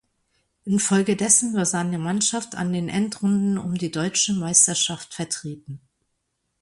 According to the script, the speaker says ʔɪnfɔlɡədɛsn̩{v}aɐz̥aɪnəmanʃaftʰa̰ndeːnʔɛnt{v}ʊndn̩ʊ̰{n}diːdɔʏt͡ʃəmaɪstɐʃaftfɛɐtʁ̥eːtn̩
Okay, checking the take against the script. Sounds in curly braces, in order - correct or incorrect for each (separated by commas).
correct, incorrect, incorrect